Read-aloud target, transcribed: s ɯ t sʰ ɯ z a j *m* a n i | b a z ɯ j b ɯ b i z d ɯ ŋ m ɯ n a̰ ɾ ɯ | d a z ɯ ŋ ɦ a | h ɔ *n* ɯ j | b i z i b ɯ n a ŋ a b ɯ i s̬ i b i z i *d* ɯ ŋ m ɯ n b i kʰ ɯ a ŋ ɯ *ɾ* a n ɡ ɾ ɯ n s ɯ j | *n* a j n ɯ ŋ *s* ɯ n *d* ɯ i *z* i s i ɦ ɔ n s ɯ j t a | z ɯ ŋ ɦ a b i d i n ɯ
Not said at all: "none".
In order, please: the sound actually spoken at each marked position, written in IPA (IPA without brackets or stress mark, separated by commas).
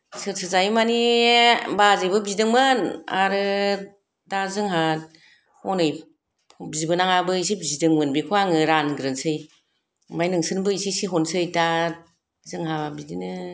m, n, d, ɾ, m, s, b, s